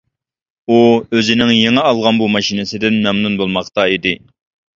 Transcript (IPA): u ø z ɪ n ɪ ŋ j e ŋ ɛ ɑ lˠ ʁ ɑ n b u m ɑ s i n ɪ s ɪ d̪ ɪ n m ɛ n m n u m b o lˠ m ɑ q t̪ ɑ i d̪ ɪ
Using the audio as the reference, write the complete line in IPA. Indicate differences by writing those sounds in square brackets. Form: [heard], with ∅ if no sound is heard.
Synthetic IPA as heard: u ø z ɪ n ɪ ŋ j e ŋ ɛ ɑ lˠ ʁ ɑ n b u m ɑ [ʃ] i n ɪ s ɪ d̪ ɪ n m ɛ [∅] m n u [n] b o lˠ m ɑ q t̪ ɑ i d̪ ɪ